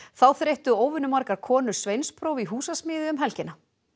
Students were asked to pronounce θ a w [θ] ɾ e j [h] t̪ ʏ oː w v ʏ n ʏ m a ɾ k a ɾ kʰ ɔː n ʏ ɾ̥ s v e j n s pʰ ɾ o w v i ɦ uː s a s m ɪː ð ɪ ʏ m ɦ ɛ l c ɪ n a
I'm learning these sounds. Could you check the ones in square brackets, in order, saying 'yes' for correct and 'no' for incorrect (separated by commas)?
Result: yes, yes